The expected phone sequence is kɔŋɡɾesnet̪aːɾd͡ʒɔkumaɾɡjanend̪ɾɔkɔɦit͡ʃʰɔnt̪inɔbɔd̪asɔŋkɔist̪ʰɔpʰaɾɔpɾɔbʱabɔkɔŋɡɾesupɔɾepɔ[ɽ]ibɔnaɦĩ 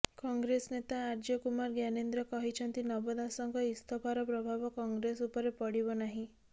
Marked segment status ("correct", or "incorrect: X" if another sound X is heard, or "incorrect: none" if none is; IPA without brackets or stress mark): correct